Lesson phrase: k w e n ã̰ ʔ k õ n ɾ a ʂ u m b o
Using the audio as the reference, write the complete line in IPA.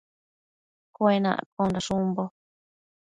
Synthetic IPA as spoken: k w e n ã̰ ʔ k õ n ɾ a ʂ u m b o